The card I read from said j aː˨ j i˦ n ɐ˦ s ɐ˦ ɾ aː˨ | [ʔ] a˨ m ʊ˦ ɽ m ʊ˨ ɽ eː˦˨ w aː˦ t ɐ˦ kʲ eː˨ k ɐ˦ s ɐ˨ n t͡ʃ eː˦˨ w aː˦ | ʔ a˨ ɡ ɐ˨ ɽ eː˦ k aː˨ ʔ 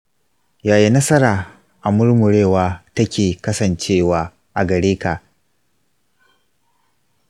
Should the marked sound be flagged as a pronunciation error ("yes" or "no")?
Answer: no